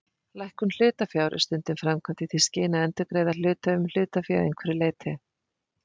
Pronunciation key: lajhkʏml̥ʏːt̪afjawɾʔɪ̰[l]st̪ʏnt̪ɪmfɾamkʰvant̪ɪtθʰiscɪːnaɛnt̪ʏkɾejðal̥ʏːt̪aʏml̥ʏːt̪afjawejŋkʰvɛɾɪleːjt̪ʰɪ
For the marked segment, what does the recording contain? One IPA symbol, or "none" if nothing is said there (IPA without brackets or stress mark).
none